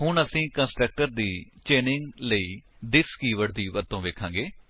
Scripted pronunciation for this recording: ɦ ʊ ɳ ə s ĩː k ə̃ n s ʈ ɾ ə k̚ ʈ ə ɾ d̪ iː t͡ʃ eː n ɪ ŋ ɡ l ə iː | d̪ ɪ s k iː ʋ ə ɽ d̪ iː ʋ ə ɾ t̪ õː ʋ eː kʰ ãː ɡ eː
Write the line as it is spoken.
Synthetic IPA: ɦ ʊ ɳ ə s ĩː k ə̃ n s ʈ ɾ ə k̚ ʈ ə ɾ d̪ iː t͡ʃ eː n ɪ ŋ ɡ l ə iː | d̪ ɪ s k iː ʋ ə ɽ d̪ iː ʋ ə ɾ t̪ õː ʋ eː kʰ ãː ɡ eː